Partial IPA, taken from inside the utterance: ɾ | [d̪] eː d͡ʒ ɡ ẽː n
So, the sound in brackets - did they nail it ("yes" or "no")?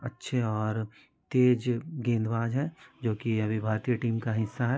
no